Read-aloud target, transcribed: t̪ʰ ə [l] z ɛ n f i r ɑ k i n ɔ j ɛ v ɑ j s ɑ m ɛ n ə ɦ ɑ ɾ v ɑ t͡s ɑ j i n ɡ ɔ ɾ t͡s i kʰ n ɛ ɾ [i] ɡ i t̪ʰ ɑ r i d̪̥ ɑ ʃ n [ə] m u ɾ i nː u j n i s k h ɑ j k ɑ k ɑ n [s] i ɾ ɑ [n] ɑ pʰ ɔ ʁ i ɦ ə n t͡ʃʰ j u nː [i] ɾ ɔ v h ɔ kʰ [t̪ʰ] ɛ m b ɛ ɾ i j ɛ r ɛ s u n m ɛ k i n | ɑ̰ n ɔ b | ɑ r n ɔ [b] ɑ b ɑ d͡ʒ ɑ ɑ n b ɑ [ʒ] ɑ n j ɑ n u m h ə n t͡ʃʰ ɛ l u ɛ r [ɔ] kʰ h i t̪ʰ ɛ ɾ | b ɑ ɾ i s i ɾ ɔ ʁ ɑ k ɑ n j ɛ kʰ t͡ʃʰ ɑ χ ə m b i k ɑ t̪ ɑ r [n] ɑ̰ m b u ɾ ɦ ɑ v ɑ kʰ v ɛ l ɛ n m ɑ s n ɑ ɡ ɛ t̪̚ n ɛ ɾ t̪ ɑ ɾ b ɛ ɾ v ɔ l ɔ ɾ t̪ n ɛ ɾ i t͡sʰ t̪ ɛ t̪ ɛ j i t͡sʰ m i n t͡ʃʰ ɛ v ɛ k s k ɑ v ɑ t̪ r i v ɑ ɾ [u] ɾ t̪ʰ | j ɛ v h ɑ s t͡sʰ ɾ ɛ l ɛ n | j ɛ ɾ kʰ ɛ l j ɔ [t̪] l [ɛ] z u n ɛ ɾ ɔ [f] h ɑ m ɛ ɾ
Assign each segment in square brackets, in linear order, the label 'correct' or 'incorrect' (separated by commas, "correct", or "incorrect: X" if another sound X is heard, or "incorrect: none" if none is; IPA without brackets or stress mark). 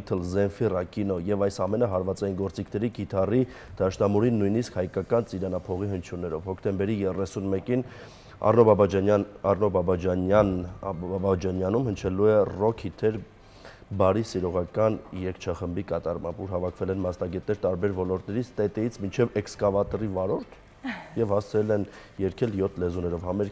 correct, correct, incorrect: ɑ, incorrect: t͡s, correct, incorrect: ɛ, incorrect: t̪, correct, incorrect: d͡ʒ, correct, incorrect: m, incorrect: ɔ, incorrect: t̪ʰ, correct, incorrect: v